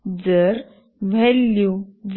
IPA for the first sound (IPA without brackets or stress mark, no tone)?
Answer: d͡z